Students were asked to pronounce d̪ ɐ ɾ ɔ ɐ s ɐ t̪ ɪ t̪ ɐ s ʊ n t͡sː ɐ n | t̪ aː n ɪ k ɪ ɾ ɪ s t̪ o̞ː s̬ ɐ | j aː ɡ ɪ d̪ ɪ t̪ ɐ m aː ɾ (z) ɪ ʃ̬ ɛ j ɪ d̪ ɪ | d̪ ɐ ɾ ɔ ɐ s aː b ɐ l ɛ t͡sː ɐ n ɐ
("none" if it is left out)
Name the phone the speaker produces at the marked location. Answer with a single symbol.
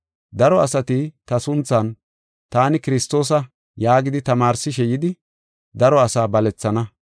s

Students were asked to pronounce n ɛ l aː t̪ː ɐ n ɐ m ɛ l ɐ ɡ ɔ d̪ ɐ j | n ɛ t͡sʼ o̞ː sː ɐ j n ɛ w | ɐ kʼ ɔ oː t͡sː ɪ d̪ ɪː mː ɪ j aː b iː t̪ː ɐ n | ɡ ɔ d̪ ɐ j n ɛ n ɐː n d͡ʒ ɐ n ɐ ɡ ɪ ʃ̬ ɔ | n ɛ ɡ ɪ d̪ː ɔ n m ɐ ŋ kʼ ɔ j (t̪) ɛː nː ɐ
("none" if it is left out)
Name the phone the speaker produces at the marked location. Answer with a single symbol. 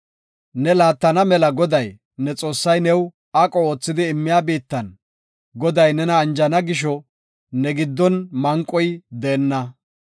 d̪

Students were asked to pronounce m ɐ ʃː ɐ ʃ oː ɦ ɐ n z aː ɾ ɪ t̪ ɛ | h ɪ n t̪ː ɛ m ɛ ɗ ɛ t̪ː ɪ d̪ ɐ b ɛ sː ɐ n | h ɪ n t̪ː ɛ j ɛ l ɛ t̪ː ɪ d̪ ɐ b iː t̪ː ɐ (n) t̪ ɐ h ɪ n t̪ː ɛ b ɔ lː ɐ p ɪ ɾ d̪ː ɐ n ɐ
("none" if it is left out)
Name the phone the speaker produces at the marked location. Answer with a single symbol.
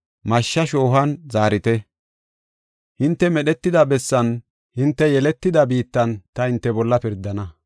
n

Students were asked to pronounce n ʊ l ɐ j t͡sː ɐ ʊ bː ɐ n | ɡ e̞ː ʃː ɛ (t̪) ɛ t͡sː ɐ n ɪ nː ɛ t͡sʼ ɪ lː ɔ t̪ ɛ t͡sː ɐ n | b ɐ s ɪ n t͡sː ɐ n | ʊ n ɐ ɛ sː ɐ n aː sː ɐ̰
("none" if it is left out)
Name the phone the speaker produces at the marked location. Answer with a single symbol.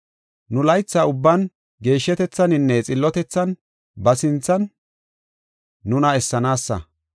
t̪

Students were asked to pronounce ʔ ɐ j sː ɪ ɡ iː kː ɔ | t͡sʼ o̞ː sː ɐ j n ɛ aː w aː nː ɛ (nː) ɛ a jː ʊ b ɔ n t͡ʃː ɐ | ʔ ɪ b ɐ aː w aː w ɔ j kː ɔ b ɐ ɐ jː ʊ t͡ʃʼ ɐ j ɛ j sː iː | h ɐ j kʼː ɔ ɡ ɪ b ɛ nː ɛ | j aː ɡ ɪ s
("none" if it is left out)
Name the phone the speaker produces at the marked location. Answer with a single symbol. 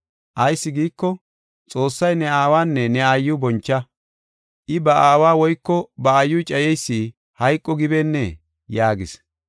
n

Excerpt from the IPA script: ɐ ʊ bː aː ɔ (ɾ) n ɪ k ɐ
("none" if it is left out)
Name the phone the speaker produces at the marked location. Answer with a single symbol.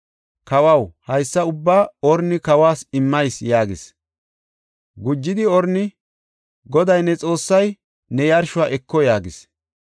ɾ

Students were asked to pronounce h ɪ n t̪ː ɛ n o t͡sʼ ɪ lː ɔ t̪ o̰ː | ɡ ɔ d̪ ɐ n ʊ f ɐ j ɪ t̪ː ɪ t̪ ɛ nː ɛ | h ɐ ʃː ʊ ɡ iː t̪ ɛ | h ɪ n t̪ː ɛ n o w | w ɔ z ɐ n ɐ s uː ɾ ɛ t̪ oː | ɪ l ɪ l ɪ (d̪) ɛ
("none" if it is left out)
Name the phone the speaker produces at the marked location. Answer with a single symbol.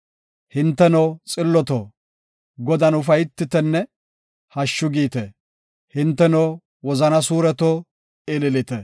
t̪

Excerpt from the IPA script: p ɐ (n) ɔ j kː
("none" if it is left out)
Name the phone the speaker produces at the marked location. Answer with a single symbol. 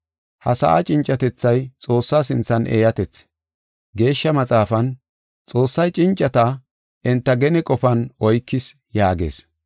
n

